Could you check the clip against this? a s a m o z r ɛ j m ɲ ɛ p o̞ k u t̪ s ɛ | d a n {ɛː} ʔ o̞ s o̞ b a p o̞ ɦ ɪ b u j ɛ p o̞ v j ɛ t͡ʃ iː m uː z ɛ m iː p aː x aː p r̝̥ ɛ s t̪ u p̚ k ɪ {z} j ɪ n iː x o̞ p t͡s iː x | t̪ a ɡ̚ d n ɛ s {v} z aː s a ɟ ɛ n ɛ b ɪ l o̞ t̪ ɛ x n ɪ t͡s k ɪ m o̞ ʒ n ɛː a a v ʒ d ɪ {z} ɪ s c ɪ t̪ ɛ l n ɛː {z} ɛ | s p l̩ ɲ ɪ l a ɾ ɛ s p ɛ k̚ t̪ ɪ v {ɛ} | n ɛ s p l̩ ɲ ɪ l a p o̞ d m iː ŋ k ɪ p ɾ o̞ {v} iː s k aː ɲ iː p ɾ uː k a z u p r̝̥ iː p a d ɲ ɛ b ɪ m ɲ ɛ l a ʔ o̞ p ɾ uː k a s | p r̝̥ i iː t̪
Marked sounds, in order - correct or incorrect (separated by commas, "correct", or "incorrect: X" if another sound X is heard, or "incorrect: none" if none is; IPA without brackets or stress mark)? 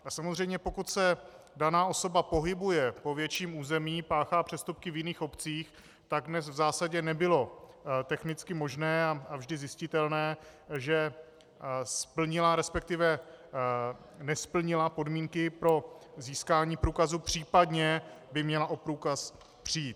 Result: incorrect: aː, incorrect: v, correct, correct, incorrect: ʒ, correct, incorrect: z